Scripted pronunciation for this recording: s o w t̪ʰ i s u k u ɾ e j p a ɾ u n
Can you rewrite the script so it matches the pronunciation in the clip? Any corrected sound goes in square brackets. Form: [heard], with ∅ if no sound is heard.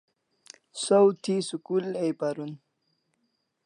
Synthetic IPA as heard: s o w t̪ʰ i s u k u [l] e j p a ɾ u n